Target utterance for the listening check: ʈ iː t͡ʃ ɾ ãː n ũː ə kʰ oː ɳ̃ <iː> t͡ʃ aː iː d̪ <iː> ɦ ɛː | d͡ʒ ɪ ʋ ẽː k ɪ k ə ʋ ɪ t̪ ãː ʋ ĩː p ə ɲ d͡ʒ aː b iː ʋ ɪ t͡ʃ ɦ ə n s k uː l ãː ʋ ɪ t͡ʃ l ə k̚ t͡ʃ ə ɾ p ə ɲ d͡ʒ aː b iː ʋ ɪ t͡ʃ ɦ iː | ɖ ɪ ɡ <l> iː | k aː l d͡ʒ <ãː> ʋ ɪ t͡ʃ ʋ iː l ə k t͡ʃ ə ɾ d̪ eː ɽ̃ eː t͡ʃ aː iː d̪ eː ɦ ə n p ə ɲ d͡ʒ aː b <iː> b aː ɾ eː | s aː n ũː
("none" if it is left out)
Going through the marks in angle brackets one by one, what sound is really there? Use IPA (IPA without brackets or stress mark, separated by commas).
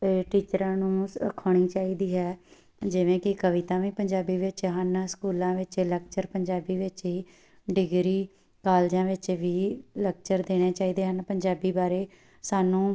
iː, iː, ɾ, ãː, iː